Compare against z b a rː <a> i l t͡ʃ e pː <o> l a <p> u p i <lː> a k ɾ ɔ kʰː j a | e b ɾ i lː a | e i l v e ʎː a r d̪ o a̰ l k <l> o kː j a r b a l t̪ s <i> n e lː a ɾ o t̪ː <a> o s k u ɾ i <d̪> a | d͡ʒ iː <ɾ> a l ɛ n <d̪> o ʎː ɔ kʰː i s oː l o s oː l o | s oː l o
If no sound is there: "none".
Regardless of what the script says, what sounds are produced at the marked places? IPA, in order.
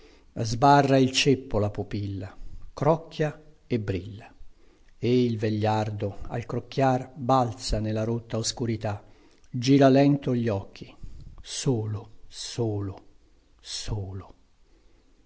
a, o, p, lː, ɾ, a, a, t̪, ɾ, t̪

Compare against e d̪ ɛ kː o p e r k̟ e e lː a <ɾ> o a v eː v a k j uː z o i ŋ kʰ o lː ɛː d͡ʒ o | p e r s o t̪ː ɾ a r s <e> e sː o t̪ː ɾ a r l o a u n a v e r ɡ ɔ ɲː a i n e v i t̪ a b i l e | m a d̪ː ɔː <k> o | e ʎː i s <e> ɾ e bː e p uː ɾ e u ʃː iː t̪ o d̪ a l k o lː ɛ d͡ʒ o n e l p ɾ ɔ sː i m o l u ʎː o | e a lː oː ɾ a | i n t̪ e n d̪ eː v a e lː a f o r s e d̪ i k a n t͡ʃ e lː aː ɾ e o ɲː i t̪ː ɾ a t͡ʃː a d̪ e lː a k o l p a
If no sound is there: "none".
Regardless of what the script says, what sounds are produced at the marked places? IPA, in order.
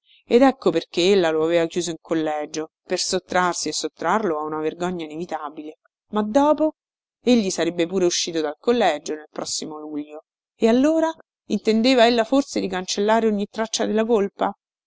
l, i, p, a

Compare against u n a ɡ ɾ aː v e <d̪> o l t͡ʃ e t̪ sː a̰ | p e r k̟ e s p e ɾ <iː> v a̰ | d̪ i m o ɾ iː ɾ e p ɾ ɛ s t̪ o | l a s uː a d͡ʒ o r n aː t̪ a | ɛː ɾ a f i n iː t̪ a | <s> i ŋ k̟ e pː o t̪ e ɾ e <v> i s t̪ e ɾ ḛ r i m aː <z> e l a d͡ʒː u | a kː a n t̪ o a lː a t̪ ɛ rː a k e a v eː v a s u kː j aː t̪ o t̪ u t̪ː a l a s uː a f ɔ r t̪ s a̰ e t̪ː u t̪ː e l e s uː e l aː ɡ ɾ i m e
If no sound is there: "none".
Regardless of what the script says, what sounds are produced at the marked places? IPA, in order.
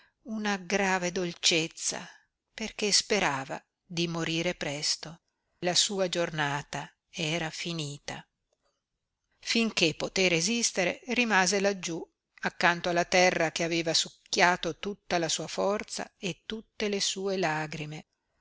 d̪, aː, f, z, z

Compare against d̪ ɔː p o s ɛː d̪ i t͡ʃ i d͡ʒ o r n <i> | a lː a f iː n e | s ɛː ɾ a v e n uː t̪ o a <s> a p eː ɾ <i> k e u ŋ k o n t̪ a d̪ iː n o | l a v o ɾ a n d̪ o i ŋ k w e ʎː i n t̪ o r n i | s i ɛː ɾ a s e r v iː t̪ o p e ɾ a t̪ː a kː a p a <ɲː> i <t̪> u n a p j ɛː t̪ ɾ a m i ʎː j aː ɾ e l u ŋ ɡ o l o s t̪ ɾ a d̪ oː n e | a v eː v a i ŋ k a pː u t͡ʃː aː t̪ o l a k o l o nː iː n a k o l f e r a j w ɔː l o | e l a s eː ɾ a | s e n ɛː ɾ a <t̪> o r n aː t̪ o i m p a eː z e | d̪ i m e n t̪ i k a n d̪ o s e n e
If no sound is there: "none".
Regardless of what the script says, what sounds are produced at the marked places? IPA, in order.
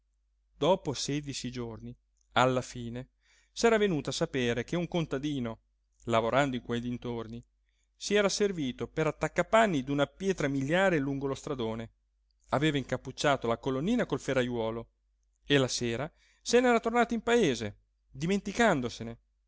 i, s, e, nː, d̪, t̪

